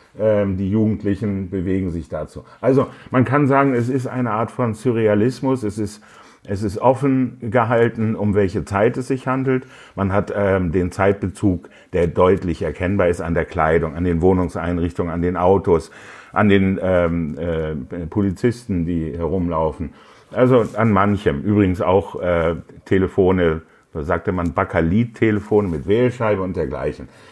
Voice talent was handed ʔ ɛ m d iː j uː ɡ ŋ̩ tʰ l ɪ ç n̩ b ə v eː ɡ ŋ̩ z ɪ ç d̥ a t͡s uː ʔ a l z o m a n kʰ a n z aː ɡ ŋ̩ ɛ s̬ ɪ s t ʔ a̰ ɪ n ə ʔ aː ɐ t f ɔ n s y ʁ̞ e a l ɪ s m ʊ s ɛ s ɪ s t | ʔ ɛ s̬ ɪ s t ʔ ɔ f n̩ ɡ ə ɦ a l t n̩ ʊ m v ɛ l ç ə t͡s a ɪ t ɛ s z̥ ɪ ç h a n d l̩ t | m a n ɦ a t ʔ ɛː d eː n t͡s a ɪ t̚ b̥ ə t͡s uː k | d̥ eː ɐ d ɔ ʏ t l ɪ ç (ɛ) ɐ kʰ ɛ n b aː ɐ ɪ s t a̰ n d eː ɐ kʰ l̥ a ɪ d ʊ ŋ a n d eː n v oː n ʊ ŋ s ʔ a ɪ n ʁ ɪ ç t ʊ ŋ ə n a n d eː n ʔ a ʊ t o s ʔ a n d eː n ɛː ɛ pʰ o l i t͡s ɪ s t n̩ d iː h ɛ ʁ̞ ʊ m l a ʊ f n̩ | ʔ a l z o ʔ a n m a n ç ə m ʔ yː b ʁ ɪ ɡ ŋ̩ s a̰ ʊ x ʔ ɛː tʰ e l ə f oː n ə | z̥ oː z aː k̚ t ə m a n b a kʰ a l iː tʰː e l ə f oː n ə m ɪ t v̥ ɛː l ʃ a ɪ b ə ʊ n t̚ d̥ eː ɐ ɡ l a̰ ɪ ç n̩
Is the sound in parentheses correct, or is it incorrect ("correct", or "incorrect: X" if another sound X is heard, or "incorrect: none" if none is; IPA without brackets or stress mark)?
correct